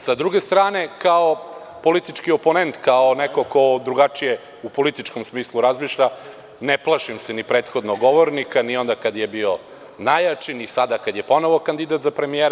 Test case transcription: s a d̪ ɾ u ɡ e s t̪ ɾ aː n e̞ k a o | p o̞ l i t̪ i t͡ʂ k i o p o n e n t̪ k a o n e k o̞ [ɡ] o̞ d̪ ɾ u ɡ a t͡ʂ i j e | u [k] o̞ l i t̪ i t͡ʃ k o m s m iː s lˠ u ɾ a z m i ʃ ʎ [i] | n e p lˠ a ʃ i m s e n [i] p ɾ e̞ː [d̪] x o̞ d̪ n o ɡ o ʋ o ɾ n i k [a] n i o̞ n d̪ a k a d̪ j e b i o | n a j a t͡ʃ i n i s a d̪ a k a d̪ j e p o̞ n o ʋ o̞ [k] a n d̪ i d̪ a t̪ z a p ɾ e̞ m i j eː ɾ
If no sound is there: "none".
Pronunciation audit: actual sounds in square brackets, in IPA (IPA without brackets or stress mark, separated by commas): k, p, a, i, t̪, a, k